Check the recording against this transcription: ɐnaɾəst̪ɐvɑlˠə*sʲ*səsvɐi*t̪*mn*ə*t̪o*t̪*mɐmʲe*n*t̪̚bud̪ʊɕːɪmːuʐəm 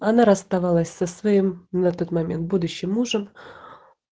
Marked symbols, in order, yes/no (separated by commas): yes, no, no, yes, yes